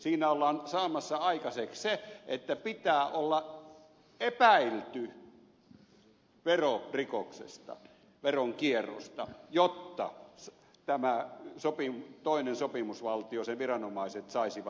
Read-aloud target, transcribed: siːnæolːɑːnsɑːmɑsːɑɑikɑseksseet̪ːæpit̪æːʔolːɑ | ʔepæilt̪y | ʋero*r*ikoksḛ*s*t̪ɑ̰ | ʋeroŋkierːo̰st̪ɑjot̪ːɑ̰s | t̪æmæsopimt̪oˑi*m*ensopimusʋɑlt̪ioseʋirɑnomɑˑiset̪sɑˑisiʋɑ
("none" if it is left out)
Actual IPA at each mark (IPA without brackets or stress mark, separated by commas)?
r, s, n